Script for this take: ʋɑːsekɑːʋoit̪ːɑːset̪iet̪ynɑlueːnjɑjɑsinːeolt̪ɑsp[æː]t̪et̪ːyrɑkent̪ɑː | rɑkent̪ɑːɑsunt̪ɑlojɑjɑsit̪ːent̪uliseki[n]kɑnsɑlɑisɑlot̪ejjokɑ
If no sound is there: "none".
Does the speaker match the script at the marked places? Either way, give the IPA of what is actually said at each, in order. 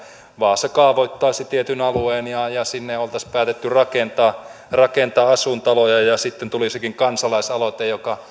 æː, ŋ

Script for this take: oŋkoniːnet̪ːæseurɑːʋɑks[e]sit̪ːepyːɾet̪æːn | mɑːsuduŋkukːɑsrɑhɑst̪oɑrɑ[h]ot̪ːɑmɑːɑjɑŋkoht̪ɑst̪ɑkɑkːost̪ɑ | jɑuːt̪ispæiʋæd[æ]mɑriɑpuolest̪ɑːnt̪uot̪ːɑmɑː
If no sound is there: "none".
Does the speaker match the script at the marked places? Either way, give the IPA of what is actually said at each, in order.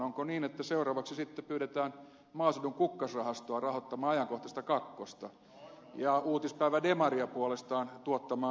i, h, e

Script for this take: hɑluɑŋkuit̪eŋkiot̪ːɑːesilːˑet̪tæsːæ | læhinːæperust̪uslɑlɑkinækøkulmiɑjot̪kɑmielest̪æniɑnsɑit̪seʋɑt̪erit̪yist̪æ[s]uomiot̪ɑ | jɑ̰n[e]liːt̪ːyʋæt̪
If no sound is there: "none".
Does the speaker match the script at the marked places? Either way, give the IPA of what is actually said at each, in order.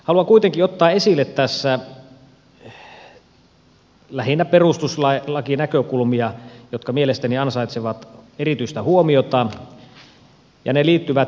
h, e

